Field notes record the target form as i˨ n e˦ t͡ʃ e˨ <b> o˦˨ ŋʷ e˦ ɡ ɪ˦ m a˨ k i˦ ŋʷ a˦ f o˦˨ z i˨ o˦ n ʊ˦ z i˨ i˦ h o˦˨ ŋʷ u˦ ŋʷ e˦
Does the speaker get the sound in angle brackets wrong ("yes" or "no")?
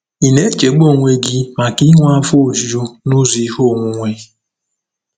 yes